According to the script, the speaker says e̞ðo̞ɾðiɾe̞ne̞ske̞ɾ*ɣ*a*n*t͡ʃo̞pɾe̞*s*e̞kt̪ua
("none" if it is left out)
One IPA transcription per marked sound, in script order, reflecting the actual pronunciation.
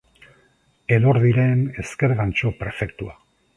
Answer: ɣ, n, f

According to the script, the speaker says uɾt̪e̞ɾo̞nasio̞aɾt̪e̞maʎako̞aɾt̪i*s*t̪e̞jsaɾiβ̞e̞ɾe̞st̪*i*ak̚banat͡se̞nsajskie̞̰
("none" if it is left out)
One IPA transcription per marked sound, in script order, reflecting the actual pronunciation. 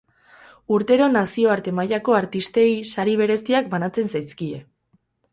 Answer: s, i

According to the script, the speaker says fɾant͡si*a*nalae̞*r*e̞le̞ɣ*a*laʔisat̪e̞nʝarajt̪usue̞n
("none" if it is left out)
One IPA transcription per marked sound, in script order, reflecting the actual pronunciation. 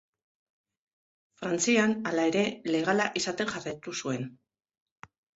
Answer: a, ɾ, a

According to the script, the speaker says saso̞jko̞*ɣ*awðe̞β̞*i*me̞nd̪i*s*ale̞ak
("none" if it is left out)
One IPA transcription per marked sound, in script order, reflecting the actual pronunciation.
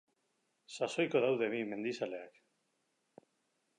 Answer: ð, i, s

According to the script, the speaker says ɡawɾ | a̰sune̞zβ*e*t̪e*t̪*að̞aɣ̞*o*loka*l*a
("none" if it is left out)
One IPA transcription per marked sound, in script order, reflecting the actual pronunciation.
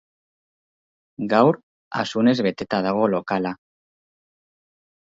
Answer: e, t̪, o, l

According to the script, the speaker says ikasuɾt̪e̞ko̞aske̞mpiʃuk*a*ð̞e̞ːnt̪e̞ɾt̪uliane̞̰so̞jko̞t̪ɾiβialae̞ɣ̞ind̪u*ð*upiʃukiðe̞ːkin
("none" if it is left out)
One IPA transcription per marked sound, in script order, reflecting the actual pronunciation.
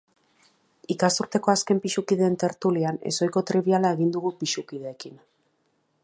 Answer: i, ɣ

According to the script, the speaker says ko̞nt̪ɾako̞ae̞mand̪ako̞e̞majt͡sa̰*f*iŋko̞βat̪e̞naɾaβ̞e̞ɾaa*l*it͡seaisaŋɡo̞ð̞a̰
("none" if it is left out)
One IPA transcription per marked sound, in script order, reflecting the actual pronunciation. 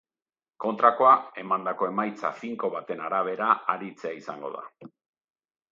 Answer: f, ɾ

